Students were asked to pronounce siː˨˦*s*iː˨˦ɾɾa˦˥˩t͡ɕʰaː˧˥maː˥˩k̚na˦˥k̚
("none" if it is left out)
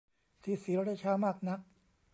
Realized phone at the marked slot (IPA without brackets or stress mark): s